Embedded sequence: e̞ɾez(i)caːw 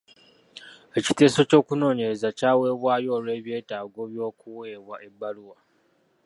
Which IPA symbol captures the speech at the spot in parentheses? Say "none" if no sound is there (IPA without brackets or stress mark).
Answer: a